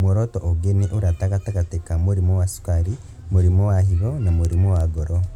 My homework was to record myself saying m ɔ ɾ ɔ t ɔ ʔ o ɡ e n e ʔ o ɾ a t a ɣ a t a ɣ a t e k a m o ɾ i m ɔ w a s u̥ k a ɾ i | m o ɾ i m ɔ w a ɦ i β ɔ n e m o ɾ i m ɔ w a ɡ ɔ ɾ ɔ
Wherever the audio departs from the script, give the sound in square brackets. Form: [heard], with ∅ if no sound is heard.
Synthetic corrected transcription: m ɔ ɾ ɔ t ɔ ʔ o ɡ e n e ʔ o ɾ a t a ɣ a t a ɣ a t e k a m o ɾ i m ɔ w a s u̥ k a ɾ i | m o ɾ i m ɔ w a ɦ i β ɔ n [a] m o ɾ i m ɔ w a ɡ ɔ ɾ ɔ